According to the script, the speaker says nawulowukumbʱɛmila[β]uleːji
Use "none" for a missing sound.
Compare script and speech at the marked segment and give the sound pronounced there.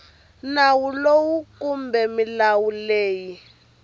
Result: w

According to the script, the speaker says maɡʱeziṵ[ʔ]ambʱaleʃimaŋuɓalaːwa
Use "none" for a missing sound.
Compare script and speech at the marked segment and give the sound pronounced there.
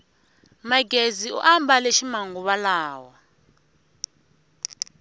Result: ʔ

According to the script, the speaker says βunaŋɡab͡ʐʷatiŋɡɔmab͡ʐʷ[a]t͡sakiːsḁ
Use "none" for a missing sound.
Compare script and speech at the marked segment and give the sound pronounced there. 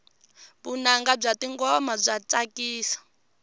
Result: a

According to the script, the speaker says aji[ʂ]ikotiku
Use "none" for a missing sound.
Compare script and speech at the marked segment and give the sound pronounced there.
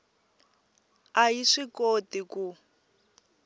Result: ʂ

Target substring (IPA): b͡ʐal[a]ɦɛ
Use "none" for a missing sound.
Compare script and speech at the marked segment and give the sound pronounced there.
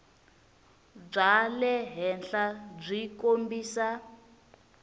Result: ɛ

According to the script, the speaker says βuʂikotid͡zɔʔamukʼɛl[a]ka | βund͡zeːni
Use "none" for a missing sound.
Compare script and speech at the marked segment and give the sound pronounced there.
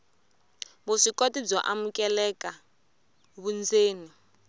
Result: ɛ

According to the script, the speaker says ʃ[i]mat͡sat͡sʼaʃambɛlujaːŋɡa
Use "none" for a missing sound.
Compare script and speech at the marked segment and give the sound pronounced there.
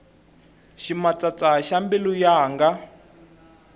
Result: i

